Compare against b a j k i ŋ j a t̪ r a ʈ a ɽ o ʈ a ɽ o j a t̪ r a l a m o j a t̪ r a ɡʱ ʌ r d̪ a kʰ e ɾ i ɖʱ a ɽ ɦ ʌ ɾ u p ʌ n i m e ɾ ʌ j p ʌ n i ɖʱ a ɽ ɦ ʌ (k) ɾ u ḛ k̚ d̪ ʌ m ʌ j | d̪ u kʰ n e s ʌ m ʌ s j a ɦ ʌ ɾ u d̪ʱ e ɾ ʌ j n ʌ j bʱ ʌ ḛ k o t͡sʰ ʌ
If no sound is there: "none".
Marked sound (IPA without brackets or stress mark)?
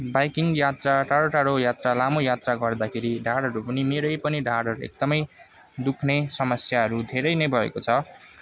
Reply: none